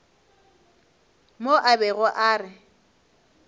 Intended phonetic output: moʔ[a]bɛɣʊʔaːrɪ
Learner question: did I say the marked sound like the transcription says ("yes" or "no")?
yes